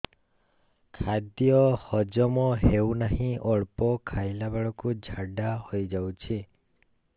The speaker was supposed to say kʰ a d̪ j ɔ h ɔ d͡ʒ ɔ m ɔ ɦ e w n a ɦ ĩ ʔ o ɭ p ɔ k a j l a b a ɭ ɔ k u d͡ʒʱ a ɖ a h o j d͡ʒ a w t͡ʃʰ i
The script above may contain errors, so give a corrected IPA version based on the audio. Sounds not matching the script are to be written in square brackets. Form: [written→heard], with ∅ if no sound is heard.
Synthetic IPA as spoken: kʰ a d̪ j ɔ h ɔ d͡ʒ ɔ m ɔ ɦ e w n a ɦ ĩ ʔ [o→ɔ] ɭ p ɔ [k→kʰ] a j l a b a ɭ ɔ k u d͡ʒʱ a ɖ a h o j d͡ʒ a w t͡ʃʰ i